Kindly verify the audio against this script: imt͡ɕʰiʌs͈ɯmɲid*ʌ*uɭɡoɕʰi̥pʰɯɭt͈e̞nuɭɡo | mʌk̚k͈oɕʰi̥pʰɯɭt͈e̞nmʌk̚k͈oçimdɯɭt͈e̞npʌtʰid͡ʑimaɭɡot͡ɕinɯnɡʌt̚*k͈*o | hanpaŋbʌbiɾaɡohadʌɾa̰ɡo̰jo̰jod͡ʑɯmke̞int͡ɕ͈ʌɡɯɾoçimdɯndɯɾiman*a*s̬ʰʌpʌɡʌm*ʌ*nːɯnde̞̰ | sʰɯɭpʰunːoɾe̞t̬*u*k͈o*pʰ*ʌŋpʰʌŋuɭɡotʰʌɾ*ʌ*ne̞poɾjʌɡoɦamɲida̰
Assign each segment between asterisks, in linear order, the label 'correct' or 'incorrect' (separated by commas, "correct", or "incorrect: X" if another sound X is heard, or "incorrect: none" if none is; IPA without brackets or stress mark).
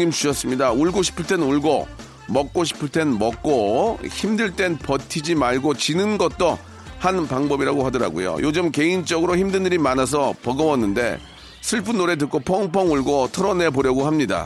incorrect: a, incorrect: t͈, correct, correct, incorrect: ɯ, correct, correct